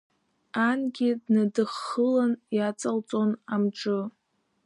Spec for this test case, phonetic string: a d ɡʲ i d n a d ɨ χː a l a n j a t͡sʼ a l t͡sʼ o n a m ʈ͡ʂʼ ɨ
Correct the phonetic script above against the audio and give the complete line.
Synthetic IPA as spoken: a n ɡʲ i d n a d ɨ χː ə l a n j a t͡sʼ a l t͡sʼ o n a m ʈ͡ʂʼ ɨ